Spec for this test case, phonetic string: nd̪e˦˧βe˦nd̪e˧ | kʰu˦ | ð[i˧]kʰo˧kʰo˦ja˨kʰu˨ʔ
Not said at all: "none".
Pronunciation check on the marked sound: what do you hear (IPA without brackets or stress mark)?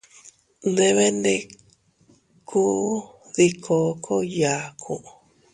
i˧